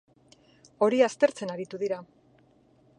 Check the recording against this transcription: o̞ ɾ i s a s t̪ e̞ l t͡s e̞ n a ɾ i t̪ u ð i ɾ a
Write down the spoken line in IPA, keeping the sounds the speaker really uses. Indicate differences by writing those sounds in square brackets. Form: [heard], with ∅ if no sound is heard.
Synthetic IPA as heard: o̞ ɾ i [∅] a s t̪ e̞ [ɾ] t͡s e̞ n a ɾ i t̪ u ð i ɾ a